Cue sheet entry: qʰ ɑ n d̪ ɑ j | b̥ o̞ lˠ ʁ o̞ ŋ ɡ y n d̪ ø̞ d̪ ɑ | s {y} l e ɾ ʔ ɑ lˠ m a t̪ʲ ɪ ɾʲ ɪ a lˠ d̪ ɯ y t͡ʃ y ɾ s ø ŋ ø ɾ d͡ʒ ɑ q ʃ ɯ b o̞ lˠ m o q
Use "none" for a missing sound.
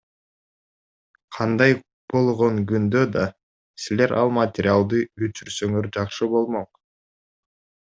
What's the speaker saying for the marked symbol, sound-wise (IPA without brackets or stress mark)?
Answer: i